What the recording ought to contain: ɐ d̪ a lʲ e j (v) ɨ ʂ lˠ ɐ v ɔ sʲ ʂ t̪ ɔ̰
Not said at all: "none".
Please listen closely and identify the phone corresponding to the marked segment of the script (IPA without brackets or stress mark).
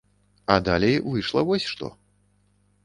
v